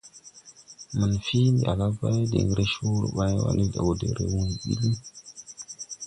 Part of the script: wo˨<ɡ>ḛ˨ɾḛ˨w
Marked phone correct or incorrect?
incorrect: d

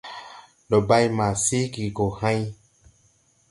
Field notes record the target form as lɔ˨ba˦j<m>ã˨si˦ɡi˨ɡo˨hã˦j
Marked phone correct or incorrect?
correct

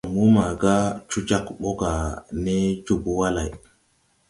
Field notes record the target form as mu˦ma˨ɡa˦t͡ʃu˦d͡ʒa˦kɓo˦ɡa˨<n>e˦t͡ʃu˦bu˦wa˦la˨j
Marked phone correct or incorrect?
correct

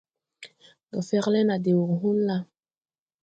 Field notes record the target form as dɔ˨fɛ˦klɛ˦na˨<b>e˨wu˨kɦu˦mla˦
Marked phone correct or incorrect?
incorrect: d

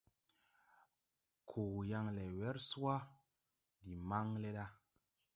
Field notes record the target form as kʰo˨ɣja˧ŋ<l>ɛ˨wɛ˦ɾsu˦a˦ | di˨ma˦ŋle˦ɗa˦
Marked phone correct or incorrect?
correct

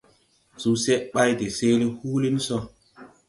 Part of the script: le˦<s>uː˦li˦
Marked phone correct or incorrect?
incorrect: h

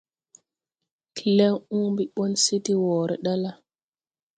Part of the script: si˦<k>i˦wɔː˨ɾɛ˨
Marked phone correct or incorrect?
incorrect: t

